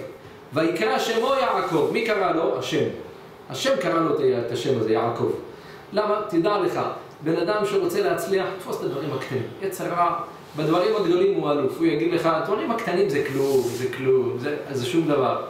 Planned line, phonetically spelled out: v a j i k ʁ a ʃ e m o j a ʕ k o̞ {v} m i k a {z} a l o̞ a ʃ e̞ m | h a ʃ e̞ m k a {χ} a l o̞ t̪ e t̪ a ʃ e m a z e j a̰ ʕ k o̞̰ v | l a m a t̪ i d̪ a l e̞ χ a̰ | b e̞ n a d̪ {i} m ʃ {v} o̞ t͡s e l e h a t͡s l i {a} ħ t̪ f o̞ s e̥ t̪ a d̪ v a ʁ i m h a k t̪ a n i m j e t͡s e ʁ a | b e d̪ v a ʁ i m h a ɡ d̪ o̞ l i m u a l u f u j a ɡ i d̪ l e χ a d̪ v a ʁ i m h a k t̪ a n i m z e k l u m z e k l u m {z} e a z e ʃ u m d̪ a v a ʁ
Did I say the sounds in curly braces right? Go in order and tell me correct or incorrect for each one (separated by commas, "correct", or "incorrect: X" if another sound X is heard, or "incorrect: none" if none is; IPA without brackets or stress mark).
correct, incorrect: ʁ, incorrect: ʁ, incorrect: a, incorrect: ʁ, correct, correct